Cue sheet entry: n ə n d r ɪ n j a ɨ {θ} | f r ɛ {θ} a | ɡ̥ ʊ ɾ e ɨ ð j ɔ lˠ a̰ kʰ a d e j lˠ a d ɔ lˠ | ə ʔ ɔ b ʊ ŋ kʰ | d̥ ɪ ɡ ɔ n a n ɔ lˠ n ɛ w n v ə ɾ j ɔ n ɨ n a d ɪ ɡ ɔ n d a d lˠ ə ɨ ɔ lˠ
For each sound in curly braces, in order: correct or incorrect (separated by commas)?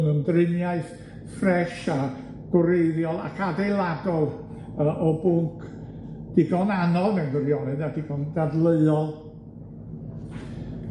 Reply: correct, incorrect